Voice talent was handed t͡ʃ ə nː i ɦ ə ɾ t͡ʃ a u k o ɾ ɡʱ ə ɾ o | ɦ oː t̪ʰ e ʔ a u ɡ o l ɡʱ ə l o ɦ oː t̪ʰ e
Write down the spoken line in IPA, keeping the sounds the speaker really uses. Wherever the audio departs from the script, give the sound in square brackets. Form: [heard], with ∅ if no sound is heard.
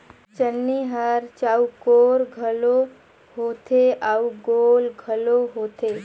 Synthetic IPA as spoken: t͡ʃ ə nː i ɦ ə ɾ t͡ʃ a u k o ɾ ɡʱ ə [l] o | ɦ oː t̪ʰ e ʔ a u ɡ o l ɡʱ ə l o ɦ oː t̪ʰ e